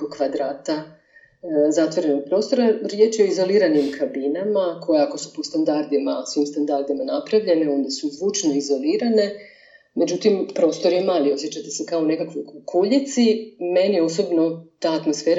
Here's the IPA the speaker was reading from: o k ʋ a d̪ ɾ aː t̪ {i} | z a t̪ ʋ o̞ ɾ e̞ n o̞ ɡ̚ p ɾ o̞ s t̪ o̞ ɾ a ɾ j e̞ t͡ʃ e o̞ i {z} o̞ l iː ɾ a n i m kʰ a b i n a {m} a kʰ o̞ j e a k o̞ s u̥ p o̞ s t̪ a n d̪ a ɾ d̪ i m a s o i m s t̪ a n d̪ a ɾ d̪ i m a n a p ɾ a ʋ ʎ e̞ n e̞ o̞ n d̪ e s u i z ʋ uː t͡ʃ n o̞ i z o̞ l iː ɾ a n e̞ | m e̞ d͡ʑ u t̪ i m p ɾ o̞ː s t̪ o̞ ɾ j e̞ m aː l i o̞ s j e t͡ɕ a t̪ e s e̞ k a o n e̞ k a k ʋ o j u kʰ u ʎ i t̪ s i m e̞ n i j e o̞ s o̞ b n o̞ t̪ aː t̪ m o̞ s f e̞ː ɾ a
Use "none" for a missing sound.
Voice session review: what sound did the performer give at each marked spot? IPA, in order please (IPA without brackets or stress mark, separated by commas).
a, z, m